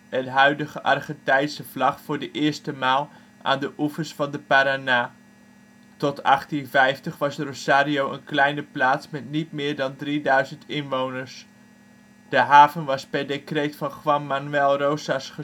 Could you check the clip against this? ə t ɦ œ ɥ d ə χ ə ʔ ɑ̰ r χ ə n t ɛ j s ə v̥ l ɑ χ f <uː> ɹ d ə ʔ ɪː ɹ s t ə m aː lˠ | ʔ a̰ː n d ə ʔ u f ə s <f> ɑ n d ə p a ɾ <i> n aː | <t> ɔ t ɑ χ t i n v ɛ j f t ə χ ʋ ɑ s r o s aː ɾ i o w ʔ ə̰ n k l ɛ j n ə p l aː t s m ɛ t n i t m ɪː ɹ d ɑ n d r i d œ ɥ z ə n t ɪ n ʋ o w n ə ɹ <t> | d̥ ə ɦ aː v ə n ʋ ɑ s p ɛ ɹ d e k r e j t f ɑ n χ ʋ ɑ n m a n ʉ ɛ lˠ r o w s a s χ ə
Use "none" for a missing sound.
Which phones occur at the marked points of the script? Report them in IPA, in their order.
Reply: ʊː, f, a, t, s

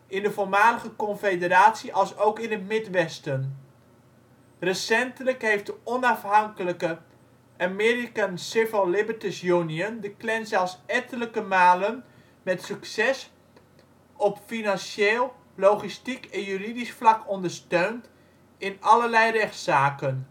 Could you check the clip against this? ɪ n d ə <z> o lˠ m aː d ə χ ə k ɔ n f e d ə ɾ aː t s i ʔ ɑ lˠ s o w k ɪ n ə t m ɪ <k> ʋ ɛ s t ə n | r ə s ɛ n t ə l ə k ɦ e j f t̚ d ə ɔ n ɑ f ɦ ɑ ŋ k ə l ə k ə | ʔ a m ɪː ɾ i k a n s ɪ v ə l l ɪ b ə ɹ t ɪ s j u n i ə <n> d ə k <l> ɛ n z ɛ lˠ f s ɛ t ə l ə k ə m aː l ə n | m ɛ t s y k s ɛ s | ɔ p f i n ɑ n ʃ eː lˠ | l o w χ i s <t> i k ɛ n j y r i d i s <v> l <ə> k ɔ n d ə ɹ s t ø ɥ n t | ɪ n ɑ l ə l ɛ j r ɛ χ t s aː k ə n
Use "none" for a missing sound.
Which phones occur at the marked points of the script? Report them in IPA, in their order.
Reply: v, t, n, l, t, f, ɑ

